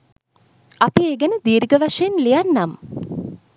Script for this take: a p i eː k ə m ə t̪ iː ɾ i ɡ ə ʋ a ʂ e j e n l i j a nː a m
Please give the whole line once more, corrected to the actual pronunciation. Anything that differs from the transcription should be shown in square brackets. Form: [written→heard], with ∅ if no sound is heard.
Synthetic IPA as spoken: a p i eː [k→ɡ] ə [m→n] ə [t̪→d̪] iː ɾ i ɡ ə ʋ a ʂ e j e n l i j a nː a m